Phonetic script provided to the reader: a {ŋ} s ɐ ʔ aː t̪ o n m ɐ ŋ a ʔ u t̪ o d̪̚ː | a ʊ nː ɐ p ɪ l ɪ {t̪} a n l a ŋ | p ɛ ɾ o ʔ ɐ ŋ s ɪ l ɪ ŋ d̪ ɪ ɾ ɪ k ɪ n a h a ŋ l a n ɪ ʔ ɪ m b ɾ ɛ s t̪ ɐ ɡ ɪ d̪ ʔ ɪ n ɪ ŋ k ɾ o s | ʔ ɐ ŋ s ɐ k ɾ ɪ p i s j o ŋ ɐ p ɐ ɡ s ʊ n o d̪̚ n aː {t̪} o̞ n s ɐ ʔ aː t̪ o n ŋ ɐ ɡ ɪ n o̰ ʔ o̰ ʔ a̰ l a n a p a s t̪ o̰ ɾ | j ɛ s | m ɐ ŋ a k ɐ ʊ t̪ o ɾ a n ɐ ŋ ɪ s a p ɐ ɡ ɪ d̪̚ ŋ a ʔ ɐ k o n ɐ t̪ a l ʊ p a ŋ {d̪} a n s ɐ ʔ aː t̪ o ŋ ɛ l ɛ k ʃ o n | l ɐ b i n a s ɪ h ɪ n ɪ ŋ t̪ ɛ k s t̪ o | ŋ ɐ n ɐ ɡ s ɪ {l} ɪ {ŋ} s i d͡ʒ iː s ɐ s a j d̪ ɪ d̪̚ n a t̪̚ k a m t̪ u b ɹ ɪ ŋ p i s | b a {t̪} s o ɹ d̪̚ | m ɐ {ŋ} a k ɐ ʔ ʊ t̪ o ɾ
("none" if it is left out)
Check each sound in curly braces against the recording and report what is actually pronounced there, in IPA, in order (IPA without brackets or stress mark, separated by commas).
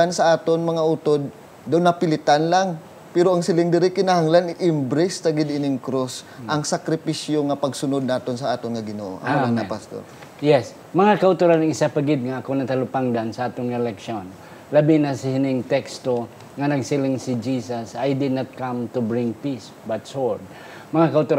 n, t̪, t̪, d̪, l, ŋ, t̪, ŋ